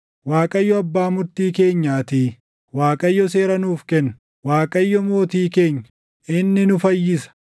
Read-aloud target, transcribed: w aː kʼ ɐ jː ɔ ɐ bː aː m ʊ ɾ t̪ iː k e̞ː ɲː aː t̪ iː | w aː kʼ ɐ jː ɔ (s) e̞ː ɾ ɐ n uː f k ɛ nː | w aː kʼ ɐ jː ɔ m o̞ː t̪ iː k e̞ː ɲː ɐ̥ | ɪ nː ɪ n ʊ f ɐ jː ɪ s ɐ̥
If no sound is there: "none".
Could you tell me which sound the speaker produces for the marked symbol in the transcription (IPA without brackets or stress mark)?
s